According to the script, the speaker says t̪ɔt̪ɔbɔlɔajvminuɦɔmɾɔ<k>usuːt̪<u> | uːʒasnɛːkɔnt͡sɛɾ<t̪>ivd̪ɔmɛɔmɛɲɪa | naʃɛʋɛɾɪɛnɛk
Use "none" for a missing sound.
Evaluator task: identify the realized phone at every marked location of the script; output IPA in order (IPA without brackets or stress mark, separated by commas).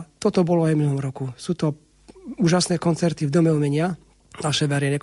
k, ɔ, t̪